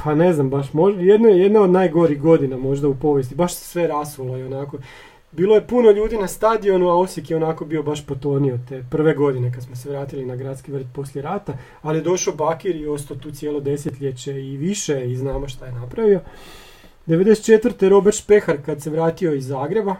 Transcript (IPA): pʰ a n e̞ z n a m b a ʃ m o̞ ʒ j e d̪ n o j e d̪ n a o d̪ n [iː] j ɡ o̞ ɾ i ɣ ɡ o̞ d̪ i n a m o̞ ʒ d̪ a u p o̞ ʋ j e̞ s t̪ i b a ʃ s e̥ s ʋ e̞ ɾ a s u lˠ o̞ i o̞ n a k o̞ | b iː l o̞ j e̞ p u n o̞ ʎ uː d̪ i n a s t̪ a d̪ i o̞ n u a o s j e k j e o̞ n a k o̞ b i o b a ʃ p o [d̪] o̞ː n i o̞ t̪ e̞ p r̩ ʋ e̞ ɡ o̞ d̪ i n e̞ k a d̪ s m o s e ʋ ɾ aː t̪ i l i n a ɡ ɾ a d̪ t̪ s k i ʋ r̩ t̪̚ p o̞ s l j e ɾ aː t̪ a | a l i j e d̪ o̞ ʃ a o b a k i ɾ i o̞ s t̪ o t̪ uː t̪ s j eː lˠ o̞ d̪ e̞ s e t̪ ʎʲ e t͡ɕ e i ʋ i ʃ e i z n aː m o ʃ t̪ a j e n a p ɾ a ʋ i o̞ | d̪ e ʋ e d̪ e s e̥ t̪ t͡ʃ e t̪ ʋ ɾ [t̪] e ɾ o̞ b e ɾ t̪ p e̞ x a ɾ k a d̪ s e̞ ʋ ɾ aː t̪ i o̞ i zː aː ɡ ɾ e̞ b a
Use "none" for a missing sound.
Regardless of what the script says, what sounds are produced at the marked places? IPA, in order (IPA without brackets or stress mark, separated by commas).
aː, t̪, t̪